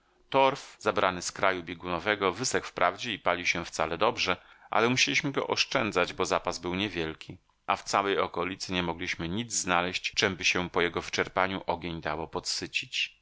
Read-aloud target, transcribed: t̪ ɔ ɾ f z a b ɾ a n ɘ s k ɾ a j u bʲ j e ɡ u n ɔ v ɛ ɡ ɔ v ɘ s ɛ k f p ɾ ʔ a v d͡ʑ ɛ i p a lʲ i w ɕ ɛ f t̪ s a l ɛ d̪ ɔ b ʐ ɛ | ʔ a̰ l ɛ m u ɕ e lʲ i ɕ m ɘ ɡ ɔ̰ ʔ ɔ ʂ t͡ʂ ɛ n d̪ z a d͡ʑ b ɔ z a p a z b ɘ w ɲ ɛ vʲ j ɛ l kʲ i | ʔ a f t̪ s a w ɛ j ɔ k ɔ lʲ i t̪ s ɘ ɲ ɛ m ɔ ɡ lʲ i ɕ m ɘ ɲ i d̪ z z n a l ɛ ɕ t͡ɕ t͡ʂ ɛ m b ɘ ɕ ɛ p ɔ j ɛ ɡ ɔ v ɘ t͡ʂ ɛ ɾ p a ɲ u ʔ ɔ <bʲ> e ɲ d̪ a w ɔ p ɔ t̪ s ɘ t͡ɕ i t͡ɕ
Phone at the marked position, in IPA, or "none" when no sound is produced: ɡʲ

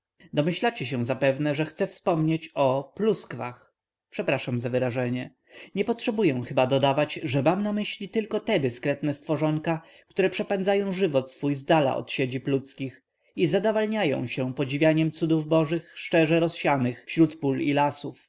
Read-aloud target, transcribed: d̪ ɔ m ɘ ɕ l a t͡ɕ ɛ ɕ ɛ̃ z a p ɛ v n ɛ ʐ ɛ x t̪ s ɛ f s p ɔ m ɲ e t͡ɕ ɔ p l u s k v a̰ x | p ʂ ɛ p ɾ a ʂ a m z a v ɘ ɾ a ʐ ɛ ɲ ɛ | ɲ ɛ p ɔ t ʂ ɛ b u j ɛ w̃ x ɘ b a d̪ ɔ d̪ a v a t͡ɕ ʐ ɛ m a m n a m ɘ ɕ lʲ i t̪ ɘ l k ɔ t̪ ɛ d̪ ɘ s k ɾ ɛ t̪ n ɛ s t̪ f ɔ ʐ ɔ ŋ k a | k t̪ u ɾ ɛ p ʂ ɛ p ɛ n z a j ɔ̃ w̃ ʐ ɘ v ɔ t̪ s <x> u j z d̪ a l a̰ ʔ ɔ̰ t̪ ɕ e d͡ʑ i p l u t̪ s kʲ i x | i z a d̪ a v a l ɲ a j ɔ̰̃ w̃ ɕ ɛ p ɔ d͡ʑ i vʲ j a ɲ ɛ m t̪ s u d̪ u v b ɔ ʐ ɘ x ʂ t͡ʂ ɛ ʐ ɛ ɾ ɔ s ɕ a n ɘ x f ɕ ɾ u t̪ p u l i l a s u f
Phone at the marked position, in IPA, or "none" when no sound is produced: f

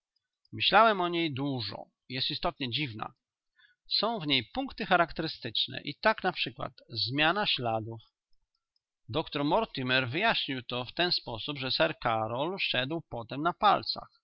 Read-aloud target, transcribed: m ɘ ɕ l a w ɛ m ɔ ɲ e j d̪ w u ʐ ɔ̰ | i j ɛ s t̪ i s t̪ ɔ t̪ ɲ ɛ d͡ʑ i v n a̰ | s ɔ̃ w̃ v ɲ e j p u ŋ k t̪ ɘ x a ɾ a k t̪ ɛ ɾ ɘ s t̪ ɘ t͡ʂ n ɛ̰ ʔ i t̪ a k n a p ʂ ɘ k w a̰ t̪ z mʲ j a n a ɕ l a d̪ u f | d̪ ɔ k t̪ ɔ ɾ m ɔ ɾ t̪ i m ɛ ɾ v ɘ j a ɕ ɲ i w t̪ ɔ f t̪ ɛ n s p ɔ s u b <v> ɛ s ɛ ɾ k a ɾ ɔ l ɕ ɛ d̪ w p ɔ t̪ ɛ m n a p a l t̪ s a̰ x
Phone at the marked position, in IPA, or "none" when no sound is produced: ʐ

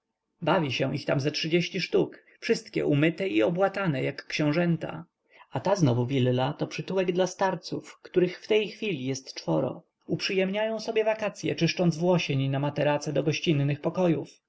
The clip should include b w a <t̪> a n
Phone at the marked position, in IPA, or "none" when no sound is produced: t̪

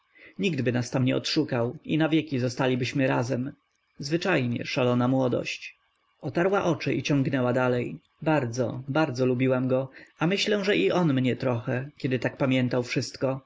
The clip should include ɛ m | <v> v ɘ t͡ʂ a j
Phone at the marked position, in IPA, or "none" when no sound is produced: z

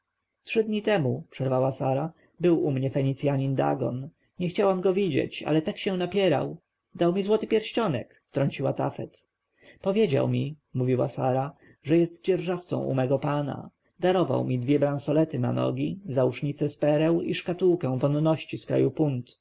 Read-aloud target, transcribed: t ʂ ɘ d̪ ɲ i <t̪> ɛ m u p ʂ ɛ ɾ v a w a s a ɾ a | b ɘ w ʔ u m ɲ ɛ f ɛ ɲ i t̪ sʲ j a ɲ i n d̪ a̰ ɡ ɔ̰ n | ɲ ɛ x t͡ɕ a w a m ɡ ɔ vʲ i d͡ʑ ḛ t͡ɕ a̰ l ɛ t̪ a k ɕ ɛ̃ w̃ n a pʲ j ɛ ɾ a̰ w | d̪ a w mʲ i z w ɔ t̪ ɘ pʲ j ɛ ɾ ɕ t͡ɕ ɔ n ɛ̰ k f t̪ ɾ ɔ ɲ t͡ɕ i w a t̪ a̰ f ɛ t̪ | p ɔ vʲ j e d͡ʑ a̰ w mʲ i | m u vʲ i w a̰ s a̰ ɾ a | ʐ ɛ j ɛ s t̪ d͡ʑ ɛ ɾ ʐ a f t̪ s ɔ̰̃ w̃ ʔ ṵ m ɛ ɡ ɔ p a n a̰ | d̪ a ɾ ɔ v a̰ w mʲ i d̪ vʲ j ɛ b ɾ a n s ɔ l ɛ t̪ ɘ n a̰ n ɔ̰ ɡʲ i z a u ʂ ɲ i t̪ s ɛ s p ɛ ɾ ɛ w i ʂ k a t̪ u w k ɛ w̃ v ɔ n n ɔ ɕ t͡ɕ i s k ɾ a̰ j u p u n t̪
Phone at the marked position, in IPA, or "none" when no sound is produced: t̪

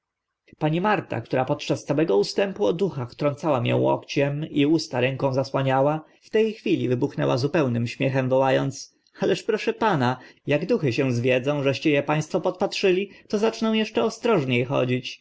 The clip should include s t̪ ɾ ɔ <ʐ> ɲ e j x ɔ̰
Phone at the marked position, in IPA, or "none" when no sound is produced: ʐ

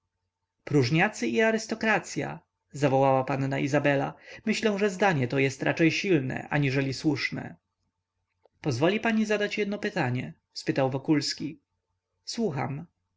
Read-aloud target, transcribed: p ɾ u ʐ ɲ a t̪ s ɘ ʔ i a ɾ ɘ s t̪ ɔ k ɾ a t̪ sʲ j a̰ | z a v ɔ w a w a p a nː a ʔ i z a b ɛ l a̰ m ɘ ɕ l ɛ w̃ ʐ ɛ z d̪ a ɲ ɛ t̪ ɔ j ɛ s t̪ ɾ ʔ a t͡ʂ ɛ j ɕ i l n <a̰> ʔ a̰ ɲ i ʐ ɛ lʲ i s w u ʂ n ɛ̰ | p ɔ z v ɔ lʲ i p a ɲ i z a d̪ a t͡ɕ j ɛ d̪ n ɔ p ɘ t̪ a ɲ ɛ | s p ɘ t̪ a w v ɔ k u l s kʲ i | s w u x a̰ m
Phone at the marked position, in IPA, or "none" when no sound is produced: ɛ̰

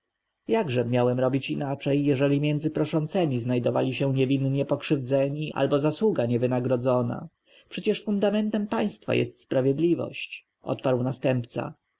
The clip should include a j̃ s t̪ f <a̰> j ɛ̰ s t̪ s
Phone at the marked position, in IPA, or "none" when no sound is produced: a̰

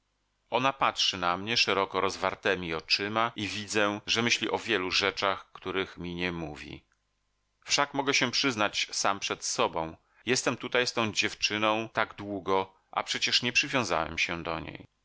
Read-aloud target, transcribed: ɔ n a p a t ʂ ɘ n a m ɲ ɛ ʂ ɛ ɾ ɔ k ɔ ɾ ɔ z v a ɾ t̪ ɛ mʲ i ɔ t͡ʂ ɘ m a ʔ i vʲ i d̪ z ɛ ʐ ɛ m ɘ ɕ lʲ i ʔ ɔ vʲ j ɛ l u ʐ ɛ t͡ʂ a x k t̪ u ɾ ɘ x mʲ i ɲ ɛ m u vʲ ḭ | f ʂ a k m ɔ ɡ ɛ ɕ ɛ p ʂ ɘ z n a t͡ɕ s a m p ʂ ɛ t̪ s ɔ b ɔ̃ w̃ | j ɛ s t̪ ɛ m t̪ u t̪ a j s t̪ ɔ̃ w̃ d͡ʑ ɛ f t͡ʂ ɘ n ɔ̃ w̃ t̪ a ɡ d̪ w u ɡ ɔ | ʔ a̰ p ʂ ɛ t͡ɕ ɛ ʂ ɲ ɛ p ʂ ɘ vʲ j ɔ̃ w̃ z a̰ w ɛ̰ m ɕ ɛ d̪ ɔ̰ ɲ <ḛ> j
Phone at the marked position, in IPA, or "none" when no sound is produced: ḛ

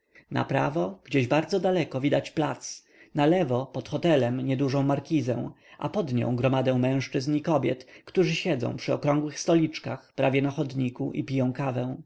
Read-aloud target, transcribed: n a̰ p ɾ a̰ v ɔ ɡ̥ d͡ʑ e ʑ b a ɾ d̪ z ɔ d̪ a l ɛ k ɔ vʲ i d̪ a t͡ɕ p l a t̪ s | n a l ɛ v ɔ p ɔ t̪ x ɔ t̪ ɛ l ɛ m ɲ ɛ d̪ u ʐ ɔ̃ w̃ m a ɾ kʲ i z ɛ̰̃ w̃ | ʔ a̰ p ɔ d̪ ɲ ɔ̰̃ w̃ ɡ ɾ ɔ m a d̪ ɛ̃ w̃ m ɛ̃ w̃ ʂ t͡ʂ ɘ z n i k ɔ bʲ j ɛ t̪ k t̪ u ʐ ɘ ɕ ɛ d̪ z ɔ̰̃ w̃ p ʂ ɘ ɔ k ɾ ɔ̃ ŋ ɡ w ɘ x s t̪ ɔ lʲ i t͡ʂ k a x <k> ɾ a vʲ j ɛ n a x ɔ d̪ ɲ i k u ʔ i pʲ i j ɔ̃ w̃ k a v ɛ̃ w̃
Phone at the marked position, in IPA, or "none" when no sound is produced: p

